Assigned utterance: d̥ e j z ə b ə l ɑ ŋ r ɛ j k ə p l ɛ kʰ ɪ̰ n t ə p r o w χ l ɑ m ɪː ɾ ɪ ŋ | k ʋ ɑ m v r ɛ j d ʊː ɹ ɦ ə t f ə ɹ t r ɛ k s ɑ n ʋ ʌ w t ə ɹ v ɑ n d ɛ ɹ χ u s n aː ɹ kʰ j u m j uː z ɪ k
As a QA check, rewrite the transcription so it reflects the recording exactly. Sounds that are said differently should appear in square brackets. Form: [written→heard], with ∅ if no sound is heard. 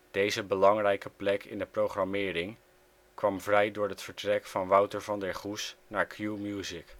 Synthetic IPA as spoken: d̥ e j z ə b ə l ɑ ŋ r ɛ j k ə p l ɛ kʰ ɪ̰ n [t→d] ə p r o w χ [l→r] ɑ m ɪː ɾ ɪ ŋ | k ʋ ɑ m v r ɛ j d ʊː ɹ ɦ ə t f ə ɹ t r ɛ k [s→f] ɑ n ʋ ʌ w t ə ɹ v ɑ n d ɛ ɹ χ u s n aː ɹ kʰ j u m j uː z ɪ k